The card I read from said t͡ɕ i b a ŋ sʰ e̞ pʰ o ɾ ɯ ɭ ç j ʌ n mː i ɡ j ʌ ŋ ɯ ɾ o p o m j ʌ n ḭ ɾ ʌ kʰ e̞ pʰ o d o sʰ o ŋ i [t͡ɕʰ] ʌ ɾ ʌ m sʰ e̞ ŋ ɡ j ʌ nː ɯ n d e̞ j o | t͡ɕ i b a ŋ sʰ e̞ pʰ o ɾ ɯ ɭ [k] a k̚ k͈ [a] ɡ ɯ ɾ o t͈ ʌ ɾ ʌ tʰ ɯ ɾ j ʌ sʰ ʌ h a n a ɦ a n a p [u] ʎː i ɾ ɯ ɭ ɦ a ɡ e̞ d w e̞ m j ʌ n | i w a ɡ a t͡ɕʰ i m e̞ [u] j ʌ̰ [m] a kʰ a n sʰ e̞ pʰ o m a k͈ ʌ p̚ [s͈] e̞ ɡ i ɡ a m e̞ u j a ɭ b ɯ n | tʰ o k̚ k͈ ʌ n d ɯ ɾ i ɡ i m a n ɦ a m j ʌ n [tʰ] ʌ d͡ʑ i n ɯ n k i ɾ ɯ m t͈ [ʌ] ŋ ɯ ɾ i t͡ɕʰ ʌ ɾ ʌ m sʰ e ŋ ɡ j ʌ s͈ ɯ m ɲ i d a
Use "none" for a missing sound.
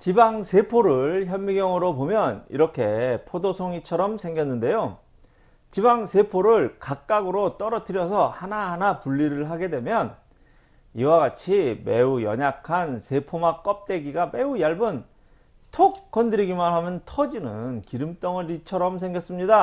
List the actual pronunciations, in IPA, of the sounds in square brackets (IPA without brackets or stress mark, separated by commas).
t͡ɕʰ, k, a, u, u, ɲ, t͈, tʰ, ʌ